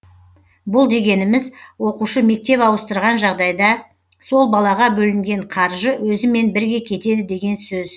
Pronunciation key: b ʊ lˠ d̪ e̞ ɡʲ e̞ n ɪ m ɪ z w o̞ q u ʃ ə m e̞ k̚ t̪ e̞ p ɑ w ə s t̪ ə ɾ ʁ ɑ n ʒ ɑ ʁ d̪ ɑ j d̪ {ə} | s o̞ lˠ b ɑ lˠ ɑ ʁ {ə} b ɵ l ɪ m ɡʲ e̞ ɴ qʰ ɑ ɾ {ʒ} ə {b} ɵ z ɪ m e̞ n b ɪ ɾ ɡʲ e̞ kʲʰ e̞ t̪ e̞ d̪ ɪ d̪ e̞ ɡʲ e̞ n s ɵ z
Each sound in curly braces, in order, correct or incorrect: incorrect, incorrect, correct, incorrect

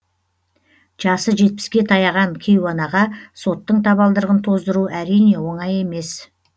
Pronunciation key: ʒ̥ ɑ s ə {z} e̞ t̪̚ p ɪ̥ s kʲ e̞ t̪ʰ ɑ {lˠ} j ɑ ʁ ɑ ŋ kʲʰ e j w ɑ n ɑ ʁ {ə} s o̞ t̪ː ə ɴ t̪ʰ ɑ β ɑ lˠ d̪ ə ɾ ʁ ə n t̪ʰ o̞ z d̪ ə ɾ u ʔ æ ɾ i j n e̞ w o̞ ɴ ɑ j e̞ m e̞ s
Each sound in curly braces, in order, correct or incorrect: incorrect, incorrect, incorrect

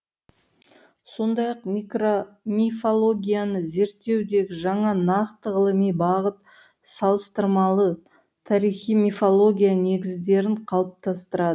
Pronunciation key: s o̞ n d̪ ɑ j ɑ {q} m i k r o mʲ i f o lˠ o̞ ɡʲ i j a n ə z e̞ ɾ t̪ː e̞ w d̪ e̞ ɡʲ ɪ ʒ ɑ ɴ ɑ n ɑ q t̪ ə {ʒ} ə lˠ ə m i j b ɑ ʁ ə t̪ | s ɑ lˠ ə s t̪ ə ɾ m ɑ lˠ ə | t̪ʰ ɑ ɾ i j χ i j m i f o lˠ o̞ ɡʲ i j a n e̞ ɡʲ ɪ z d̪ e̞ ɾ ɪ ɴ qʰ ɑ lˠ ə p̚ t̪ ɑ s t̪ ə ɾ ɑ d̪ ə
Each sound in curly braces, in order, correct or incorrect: correct, incorrect

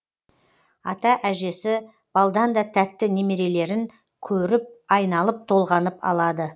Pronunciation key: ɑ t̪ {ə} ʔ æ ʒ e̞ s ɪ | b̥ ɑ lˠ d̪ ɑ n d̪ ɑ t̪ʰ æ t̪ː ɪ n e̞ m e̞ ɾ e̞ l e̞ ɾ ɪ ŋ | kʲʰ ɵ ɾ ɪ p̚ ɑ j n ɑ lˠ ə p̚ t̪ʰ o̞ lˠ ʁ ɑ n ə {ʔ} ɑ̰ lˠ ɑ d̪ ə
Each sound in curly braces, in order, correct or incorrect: incorrect, incorrect

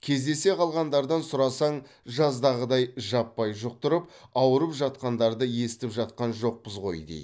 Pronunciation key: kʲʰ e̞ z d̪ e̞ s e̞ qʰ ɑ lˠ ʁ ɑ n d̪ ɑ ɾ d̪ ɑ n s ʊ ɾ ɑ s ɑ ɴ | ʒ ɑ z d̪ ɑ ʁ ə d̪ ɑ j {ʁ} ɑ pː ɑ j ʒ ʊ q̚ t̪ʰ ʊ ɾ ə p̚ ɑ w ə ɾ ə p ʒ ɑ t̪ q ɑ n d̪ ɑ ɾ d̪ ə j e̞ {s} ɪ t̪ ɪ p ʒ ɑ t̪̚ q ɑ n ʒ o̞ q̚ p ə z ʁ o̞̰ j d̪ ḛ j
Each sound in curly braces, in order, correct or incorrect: incorrect, correct

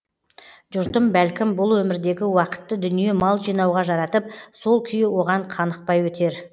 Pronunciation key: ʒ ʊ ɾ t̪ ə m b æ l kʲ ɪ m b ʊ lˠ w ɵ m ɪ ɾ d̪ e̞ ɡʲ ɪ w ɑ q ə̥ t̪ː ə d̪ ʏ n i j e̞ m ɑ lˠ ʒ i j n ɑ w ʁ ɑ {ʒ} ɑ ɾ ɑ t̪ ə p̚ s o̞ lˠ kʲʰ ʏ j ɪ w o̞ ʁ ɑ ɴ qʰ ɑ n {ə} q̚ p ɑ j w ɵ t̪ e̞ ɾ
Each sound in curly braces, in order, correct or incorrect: correct, correct

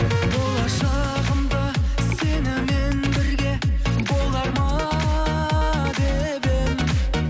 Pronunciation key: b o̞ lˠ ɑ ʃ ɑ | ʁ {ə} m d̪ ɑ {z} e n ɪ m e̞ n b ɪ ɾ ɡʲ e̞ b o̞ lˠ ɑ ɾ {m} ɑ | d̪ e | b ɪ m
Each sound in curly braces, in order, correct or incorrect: correct, incorrect, correct

